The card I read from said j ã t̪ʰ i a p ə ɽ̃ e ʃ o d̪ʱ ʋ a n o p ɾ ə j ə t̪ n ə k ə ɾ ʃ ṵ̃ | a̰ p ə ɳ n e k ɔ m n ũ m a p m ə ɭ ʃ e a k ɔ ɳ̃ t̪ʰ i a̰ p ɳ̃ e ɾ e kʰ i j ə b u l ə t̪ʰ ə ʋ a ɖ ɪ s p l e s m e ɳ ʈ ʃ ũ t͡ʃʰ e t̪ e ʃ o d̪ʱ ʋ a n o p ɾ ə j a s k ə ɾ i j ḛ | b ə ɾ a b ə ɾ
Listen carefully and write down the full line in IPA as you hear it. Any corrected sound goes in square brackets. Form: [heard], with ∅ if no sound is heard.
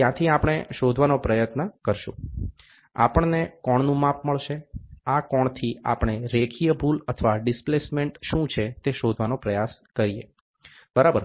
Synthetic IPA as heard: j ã t̪ʰ i a p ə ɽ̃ e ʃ o d̪ʱ ʋ a n o p ɾ ə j ə t̪ n ə k ə ɾ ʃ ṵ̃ | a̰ p ə ɳ n e k ɔ [ɳ] n ũ m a p m ə ɭ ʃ e a k ɔ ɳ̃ t̪ʰ i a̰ p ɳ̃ e ɾ e kʰ i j ə b u l ə t̪ʰ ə ʋ a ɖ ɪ s p l e s m e ɳ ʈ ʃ ũ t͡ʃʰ e t̪ e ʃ o d̪ʱ ʋ a n o p ɾ ə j a s k ə ɾ i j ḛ | b ə ɾ a b ə ɾ

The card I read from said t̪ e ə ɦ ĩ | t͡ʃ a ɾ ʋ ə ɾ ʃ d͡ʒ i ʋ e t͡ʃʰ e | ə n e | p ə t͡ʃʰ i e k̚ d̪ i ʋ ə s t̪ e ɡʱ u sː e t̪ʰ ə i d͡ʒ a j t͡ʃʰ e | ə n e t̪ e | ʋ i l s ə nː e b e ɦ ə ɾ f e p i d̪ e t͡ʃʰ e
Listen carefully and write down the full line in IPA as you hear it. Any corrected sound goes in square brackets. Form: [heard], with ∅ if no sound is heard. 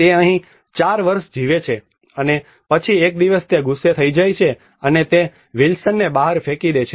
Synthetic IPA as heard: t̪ e ə ɦ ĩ | t͡ʃ a ɾ ʋ ə ɾ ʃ d͡ʒ i ʋ e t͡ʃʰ e | ə n e | p ə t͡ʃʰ i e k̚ d̪ i ʋ ə s t̪ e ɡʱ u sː e t̪ʰ ə i d͡ʒ a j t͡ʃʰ e | ə n e t̪ e | ʋ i l s ə nː e b [a] ɦ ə ɾ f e [k] i d̪ e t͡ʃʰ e

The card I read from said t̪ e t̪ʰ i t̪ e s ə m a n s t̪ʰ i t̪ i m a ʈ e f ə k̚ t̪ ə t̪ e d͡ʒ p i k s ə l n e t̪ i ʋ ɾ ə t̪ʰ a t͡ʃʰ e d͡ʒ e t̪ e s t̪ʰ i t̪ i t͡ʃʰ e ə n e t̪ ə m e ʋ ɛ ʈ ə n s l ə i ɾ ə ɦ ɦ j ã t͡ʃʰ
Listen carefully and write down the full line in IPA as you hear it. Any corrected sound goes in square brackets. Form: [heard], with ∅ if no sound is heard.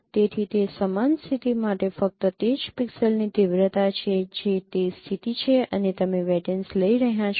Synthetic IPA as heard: t̪ e t̪ʰ i t̪ e s ə m a n s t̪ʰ i t̪ i m a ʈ e f ə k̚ t̪ ə t̪ e d͡ʒ p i k s ə l n [i] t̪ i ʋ ɾ ə [t̪] a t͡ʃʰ e d͡ʒ e t̪ e s t̪ʰ i t̪ i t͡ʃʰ e ə n e t̪ ə m e ʋ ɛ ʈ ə n s l ə i ɾ ə ɦ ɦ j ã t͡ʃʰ

